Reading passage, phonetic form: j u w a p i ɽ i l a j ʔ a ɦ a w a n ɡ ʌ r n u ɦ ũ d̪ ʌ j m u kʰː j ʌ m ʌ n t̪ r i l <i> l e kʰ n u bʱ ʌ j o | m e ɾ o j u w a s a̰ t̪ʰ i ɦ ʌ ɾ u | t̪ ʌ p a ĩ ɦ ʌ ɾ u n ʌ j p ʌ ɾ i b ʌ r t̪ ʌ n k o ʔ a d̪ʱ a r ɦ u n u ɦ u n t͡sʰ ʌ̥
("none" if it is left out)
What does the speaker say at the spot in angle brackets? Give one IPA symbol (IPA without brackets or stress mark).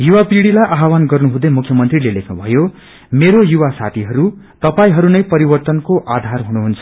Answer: e